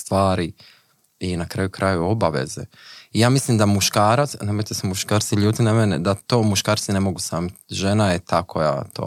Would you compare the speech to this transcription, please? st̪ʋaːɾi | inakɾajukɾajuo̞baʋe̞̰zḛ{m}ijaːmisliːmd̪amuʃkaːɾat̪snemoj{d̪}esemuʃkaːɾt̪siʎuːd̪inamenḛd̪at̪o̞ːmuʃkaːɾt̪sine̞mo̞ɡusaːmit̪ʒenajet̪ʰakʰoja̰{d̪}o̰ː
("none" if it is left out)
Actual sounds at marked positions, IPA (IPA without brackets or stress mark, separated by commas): none, t̪, t̪